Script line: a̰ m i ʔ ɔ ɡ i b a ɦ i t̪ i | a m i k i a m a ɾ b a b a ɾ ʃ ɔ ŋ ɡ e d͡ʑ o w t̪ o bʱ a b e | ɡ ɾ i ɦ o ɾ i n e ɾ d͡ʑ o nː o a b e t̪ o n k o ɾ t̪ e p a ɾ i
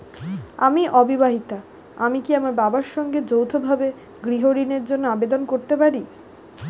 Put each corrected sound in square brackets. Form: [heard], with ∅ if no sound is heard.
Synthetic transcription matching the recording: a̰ m i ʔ ɔ [b] i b a ɦ i t̪ [a] | a m i k i a m a ɾ b a b a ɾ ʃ ɔ ŋ ɡ e d͡ʑ o w [t̪ʰ] o bʱ a b e | ɡ ɾ i ɦ o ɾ i n e ɾ d͡ʑ o nː o a b e [d̪] o n k o ɾ t̪ e p a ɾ i